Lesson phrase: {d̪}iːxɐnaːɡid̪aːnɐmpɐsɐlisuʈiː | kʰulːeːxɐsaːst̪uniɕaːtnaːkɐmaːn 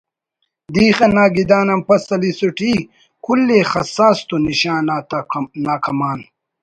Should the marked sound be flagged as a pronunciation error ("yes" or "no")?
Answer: no